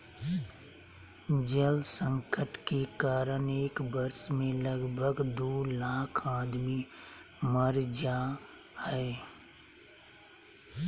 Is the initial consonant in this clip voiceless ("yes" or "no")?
no